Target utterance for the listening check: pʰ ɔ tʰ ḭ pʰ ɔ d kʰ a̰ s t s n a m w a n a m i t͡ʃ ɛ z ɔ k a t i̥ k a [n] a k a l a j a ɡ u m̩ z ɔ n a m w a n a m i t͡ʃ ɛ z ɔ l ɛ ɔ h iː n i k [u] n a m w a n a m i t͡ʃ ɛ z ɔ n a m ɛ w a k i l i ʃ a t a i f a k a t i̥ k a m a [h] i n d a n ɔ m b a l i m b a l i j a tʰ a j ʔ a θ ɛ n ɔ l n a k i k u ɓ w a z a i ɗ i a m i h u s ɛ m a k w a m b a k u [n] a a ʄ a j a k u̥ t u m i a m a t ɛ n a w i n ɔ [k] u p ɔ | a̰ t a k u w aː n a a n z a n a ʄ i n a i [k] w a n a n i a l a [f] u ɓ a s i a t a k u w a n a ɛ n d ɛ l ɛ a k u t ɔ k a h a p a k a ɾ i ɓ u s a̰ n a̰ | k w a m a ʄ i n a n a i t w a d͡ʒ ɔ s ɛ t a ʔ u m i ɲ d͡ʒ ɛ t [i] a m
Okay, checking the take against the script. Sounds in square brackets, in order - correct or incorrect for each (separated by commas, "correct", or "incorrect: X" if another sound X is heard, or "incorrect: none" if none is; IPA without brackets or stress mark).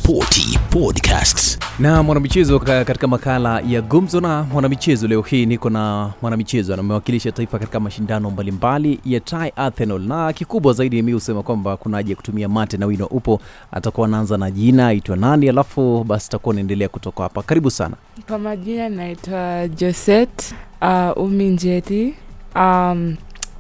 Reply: incorrect: m, incorrect: ɔ, incorrect: ʃ, correct, incorrect: ʔ, incorrect: t, correct, correct